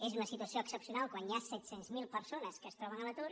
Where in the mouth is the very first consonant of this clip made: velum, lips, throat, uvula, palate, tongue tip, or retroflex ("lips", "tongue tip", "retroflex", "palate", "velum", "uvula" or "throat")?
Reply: tongue tip